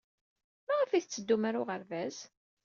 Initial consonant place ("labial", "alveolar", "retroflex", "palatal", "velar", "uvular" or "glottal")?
labial